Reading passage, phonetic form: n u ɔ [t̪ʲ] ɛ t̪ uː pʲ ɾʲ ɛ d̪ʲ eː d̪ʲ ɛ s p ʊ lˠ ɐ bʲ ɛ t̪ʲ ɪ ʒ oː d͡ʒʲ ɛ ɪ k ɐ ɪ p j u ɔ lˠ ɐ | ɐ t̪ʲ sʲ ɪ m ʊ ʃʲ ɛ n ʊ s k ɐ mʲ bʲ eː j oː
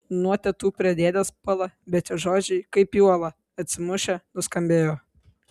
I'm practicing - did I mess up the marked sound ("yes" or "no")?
no